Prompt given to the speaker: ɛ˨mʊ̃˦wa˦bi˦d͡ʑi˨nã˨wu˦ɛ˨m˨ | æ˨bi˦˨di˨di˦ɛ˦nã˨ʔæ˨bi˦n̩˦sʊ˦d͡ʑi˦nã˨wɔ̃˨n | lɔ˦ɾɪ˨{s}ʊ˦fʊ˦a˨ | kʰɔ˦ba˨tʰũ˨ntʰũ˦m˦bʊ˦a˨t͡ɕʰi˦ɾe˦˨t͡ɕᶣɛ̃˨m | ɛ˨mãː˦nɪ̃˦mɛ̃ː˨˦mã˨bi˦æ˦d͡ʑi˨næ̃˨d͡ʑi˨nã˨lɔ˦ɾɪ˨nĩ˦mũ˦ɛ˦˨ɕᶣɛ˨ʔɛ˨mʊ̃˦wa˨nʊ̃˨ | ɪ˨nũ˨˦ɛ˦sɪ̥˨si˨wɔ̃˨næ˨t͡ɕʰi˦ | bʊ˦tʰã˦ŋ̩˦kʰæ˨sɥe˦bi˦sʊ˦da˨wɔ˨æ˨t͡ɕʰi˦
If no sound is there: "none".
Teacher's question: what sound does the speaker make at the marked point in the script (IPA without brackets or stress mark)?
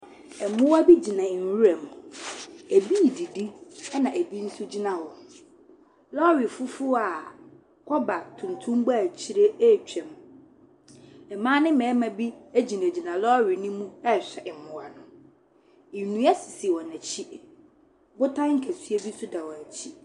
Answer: f